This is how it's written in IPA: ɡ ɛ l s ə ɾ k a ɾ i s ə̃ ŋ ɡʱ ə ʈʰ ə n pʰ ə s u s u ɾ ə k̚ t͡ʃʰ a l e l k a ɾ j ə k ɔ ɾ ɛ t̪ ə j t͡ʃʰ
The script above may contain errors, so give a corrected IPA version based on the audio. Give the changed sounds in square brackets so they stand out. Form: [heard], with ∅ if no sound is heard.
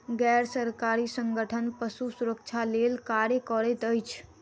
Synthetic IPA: ɡ ɛ [ɾ] s ə ɾ k a ɾ i s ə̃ ŋ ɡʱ ə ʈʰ ə n [p] ə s u s u ɾ ə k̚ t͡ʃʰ a l e l k a ɾ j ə k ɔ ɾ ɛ t̪ ə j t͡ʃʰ